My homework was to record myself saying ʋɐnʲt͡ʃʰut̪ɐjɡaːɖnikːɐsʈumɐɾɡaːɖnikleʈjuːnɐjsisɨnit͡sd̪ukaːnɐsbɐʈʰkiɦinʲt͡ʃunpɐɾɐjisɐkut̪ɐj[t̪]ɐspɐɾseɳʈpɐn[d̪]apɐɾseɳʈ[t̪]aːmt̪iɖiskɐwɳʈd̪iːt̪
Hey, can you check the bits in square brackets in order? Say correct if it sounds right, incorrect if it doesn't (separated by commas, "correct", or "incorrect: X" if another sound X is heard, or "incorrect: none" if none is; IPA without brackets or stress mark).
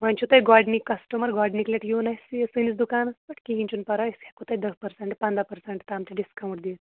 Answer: incorrect: d̪, correct, correct